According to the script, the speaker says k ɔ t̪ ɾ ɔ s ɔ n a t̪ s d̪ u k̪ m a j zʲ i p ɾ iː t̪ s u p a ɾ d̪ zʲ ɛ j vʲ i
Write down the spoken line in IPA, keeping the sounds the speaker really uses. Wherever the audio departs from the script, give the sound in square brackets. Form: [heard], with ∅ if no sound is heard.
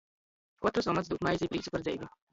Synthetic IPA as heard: k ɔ t̪ ɾ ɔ s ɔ [m] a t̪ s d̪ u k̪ m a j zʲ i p ɾ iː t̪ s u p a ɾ d̪ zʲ ɛ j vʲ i